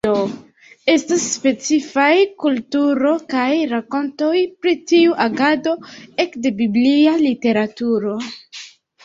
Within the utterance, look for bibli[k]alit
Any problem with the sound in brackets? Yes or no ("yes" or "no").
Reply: yes